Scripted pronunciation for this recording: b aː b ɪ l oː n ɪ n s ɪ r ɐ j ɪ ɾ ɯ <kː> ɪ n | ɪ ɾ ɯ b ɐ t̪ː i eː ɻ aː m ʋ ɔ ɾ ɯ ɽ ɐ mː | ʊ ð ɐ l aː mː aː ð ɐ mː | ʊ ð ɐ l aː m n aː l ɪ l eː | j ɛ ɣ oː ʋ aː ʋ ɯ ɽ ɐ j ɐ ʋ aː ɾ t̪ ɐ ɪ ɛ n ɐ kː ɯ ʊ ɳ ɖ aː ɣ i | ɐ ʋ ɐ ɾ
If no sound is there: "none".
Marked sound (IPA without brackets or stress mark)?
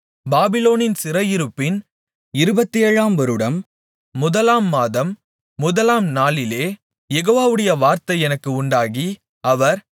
pː